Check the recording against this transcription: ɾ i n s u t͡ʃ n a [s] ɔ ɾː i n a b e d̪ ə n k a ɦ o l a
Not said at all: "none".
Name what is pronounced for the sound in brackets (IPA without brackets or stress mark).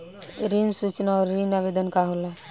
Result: none